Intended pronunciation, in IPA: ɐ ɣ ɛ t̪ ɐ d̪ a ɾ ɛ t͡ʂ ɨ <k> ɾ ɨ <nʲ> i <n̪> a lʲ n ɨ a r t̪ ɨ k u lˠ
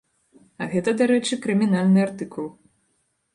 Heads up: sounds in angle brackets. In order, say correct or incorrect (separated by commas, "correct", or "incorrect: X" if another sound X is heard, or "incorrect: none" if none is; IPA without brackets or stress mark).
correct, incorrect: mʲ, correct